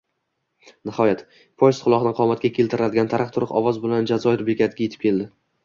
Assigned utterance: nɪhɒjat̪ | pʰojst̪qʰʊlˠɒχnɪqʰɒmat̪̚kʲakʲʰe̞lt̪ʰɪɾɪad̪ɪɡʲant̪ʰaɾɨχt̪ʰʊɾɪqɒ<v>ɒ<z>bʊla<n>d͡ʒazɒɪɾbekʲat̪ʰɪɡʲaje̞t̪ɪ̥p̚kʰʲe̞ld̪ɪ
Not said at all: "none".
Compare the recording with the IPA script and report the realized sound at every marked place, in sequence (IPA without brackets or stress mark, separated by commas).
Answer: v, z, n